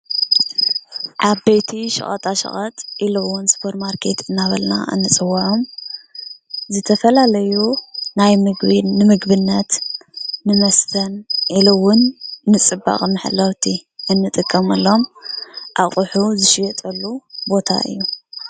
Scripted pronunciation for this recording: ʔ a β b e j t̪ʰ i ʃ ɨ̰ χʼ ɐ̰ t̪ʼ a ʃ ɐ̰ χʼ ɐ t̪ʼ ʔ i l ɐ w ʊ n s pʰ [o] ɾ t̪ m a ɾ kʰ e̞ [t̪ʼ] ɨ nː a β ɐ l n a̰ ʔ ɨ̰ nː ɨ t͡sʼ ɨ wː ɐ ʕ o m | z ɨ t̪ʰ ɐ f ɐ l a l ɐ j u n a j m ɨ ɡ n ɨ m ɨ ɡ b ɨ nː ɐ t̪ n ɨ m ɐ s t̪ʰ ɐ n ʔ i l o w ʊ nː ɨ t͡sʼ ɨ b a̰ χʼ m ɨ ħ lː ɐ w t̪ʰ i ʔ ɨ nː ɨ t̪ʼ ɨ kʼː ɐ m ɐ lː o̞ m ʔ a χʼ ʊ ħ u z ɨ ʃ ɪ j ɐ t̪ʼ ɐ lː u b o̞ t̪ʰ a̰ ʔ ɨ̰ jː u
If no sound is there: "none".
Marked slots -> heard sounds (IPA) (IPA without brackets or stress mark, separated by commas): o, t̪